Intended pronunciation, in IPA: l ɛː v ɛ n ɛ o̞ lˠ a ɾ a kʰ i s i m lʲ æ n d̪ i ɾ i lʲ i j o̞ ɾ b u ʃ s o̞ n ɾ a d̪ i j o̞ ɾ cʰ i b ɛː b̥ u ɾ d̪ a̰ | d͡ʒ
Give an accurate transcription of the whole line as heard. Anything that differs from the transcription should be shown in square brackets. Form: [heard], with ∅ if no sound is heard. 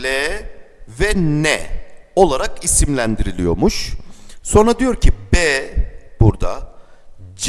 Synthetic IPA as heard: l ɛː v ɛ n ɛ o̞ lˠ a ɾ a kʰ i s i m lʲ æ n d̪ i ɾ i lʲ i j o̞ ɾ [m] u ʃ s o̞ n ɾ a d̪ i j o̞ ɾ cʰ i b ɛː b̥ u ɾ d̪ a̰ | d͡ʒ